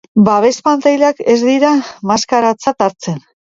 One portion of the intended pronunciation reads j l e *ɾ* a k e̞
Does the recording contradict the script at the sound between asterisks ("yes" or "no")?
yes